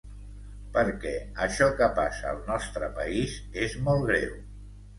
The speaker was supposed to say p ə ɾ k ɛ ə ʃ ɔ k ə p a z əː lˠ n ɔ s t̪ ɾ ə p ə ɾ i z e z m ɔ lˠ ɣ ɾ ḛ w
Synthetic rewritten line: p ə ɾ k ɛ ə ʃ ɔ k ə p a s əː lˠ n ɔ s t̪ ɾ ə p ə i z e z m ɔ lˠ ɣ ɾ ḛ w